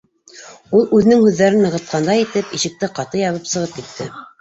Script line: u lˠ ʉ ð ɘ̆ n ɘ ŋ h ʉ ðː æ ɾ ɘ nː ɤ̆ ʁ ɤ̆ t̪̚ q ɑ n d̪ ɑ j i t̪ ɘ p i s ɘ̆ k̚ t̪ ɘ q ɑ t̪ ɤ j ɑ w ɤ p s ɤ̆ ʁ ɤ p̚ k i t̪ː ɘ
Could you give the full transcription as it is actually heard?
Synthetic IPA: u lˠ ʉ ð ɘ̆ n ɘ ŋ h ʉ ðː æ ɾ ɘ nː ɤ̆ ʁ ɤ̆ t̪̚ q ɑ n d̪ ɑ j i t̪ ɘ p i ʃ ɘ̆ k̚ t̪ ɘ q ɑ t̪ ɤ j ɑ β ɤ p s ɤ̆ ʁ ɤ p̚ k i t̪ː ɘ